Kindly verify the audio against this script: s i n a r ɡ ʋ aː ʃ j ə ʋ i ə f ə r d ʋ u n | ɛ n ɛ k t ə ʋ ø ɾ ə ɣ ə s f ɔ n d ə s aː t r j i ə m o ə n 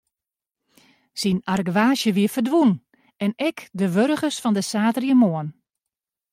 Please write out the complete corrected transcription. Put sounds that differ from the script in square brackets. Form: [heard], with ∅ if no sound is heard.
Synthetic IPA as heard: s i n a r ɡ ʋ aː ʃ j ə ʋ i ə f ə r d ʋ u n | ɛ n ɛ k [d] ə ʋ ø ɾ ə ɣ ə s f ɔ n d ə s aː t r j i ə m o ə n